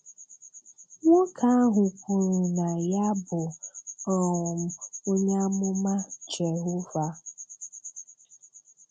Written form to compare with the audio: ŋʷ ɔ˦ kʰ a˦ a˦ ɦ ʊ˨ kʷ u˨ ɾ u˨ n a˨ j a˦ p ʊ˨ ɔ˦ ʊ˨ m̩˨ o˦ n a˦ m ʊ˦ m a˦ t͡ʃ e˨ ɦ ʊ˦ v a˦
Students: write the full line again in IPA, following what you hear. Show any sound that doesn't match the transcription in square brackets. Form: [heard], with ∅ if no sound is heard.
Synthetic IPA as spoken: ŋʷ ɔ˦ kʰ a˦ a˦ ɦ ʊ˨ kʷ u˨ ɾ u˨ n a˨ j a˦ [b] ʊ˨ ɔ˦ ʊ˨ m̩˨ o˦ [ɲ] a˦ m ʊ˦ m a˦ t͡ʃ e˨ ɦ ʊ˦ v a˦